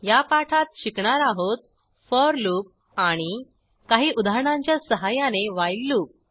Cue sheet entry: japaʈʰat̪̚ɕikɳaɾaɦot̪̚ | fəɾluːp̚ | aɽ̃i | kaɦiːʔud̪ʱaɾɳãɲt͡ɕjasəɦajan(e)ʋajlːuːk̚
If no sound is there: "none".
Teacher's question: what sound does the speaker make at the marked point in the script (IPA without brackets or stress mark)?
e